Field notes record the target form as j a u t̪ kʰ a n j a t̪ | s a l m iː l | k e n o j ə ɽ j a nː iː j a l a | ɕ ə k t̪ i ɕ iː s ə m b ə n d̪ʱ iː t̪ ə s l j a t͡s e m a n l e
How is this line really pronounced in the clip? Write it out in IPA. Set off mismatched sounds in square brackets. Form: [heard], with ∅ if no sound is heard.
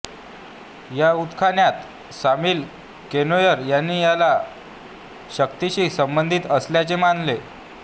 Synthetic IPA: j a u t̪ kʰ a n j a t̪ | s a [∅] m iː l | k e n o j ə [ɾ] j a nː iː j a l a | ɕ ə k t̪ i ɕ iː s ə m b ə n d̪ʱ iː t̪ ə s l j a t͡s e m a n l e